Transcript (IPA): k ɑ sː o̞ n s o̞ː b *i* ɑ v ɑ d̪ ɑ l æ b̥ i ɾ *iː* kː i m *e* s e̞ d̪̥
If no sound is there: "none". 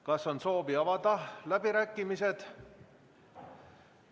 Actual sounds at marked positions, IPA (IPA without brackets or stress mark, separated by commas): i, æː, i